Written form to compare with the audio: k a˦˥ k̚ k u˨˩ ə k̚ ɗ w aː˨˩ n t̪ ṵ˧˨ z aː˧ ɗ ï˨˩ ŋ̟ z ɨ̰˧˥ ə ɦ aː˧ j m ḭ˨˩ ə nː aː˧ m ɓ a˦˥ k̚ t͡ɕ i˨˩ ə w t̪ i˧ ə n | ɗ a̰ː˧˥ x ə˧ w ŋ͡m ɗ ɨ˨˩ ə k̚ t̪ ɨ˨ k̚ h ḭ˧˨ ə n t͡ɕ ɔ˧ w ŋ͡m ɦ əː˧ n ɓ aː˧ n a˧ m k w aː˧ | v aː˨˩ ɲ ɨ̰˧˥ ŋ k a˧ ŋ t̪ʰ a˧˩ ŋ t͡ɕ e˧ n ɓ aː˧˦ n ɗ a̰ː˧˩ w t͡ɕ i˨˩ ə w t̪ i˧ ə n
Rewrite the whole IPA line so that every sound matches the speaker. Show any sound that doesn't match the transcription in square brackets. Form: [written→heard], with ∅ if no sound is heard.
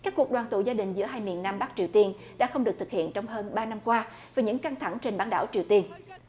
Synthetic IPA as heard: k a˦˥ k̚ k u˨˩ ə k̚ ɗ w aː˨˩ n t̪ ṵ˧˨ z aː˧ ɗ ï˨˩ ŋ̟ z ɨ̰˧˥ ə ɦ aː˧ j m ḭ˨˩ ə nː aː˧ m ɓ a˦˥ k̚ t͡ɕ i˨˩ ə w t̪ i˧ ə n | ɗ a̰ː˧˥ x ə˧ w ŋ͡m ɗ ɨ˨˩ ə k̚ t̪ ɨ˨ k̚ h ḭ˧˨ ə n t͡ɕ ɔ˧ w ŋ͡m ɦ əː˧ n ɓ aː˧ n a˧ m k w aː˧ | v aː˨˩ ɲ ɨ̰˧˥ ŋ k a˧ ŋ t̪ʰ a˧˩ ŋ t͡ɕ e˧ n ɓ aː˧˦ n ɗ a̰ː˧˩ w t͡ɕ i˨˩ ə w t̪ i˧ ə n